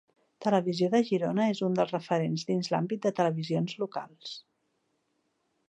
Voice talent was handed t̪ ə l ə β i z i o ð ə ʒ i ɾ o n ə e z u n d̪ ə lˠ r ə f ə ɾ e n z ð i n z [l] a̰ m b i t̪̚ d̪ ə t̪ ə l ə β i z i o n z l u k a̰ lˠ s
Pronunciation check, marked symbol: correct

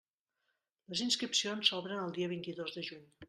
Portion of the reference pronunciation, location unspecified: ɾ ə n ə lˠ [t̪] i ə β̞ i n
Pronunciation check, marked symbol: incorrect: d̪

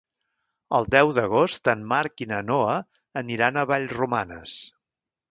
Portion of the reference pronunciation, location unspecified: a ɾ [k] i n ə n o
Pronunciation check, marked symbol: correct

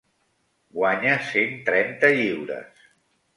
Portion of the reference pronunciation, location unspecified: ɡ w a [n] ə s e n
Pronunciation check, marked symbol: incorrect: ɲ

